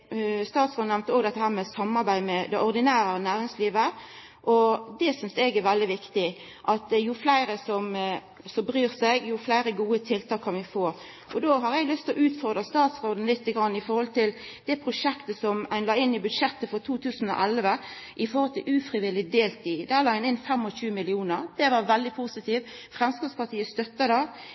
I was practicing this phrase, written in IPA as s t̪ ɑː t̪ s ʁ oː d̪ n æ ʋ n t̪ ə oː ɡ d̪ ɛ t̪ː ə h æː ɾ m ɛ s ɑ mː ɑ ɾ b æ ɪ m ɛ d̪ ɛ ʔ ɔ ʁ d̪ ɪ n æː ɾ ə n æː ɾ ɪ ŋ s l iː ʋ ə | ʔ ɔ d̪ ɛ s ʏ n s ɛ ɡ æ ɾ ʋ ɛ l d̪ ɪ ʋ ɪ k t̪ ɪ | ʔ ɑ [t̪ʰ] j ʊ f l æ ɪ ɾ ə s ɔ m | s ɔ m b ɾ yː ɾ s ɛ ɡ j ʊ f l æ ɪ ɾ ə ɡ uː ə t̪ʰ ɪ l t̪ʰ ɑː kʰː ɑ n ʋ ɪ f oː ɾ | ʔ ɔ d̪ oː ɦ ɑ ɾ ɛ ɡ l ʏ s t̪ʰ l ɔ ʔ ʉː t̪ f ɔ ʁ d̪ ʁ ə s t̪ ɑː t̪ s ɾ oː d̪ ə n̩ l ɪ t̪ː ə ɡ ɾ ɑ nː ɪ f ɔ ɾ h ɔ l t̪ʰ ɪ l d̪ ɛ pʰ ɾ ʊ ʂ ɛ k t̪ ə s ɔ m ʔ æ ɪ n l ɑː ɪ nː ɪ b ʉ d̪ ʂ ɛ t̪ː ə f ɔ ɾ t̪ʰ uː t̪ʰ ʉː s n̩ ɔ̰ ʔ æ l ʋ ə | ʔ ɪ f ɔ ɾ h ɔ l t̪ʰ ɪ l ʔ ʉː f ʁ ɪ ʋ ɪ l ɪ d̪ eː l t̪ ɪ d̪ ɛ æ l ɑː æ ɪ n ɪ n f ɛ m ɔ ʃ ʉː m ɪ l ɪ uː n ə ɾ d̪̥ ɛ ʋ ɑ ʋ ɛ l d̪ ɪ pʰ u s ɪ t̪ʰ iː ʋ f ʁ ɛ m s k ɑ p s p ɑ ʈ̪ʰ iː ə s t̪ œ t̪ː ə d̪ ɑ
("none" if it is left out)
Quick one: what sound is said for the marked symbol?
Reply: t̪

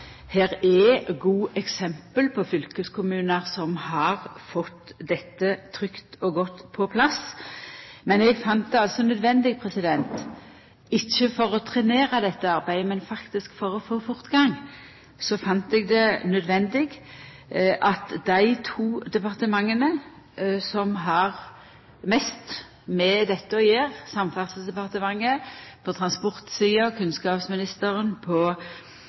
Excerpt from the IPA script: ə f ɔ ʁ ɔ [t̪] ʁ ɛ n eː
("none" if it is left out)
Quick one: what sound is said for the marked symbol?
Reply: t̪ʰ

